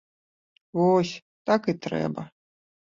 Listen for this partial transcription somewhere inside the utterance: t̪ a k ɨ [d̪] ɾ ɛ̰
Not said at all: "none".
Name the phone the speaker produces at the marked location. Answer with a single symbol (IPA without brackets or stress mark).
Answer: t̪